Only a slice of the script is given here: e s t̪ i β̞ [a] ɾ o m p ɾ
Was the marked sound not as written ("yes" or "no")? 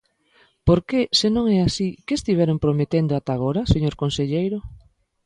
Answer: yes